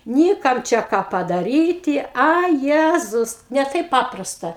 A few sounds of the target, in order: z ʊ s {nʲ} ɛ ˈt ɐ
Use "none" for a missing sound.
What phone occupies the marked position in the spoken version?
nʲ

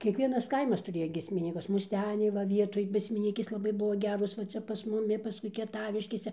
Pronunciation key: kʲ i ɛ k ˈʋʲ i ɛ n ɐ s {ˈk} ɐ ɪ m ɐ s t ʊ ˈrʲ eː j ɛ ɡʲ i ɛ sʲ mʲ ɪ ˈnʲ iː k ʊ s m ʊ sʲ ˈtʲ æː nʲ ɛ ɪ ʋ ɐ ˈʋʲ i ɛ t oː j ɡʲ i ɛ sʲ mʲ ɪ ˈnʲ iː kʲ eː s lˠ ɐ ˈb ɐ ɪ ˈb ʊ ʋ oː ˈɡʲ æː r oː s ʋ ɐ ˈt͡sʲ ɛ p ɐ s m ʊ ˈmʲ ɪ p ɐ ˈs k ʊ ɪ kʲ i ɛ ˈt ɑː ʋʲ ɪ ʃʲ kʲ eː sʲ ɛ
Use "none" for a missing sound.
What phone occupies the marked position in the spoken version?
k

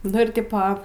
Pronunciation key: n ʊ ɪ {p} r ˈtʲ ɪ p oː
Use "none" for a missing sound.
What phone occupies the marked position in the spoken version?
none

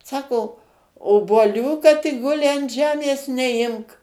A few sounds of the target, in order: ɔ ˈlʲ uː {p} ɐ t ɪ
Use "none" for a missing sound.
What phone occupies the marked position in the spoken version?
k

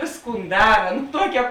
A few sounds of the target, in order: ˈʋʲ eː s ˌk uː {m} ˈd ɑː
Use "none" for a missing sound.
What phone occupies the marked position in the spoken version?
n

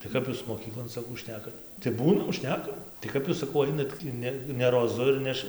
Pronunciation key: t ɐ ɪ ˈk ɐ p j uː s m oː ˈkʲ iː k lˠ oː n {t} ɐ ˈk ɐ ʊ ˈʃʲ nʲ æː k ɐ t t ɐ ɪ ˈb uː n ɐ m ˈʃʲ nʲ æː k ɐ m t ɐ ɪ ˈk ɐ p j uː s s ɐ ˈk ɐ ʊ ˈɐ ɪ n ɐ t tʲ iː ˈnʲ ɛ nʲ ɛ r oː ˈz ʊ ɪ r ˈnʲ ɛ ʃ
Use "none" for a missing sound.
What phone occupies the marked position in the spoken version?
s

